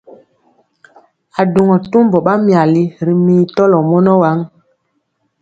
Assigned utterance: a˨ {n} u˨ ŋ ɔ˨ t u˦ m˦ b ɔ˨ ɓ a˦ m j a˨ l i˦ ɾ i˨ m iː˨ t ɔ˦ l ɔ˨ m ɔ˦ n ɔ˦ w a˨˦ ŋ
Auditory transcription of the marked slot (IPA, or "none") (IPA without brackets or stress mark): d